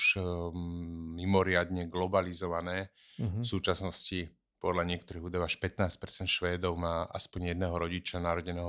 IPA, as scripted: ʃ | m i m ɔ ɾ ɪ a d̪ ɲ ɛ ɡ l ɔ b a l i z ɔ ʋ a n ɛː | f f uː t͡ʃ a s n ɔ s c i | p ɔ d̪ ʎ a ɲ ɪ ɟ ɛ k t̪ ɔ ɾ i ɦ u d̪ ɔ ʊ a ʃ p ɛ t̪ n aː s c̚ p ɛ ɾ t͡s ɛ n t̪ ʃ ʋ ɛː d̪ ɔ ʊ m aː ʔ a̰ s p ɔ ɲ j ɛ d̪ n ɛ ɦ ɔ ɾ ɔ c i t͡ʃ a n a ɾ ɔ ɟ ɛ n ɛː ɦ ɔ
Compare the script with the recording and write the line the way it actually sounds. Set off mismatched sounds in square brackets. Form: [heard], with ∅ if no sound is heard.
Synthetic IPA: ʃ | m i m ɔ ɾ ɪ a d̪ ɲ ɛ ɡ l ɔ b a l i z ɔ ʋ a n ɛː | f [s] uː t͡ʃ a s n ɔ s c i | p ɔ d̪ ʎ a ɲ ɪ [∅] ɛ k t̪ ɔ ɾ i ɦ u d̪ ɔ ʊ a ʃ p ɛ t̪ n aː s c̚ p ɛ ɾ t͡s ɛ n t̪ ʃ ʋ ɛː d̪ ɔ ʊ m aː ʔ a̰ s p ɔ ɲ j ɛ d̪ n ɛ ɦ ɔ ɾ ɔ [ɟ] i t͡ʃ a n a ɾ ɔ ɟ ɛ n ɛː ɦ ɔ